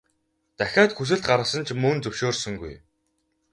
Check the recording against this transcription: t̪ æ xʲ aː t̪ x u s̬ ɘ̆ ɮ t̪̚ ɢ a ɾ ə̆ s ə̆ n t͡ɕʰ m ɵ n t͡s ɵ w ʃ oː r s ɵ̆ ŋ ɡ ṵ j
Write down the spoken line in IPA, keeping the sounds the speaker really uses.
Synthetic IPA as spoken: t̪ æ xʲ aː t̪ x u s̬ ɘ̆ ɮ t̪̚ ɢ a ɾ ə̆ s ə̆ n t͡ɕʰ m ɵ n t͡s ɵ w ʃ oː r s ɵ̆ ŋ ɡ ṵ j